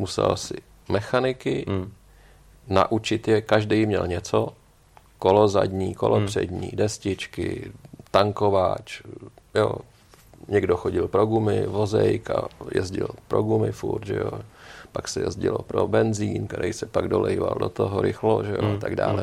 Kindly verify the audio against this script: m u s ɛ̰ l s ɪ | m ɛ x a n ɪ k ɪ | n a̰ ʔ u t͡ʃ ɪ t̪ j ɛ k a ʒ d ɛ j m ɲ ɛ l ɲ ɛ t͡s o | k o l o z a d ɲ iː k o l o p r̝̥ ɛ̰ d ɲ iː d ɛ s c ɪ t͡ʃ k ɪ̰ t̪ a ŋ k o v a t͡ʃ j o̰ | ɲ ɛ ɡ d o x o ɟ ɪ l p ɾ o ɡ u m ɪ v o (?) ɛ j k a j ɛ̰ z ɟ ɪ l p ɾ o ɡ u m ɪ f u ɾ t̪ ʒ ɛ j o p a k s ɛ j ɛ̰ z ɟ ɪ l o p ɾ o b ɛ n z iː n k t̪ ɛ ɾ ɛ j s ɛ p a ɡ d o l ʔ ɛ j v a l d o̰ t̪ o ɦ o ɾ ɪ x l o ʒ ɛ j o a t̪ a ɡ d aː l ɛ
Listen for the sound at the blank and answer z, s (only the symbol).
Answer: z